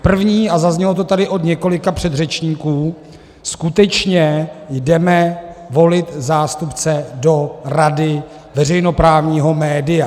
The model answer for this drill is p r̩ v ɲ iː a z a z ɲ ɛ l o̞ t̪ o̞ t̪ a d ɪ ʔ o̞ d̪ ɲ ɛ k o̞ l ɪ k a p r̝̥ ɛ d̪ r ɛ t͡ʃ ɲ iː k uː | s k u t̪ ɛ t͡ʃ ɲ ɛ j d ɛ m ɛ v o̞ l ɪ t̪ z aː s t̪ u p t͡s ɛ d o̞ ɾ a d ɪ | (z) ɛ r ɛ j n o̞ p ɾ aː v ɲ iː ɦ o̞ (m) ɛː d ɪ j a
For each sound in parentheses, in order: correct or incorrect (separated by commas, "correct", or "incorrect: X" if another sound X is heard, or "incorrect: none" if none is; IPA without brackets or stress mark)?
incorrect: v, correct